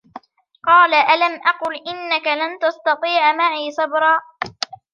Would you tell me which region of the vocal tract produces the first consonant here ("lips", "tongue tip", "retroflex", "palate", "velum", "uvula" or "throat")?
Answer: uvula